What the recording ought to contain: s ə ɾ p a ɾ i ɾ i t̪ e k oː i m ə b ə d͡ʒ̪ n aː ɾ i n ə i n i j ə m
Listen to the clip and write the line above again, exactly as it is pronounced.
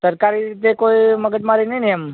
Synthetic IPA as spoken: s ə ɾ k a ɾ i ɾ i t̪ e k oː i m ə ɡ ə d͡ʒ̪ m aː ɾ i n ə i n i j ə m